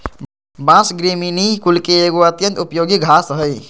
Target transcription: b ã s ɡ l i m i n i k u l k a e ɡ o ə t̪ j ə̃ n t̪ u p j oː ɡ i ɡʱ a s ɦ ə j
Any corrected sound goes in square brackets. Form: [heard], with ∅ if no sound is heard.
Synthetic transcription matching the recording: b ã s ɡ [ɾ] i m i n i k u l k [e] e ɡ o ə t̪ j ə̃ n t̪ u p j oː ɡ i ɡʱ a s ɦ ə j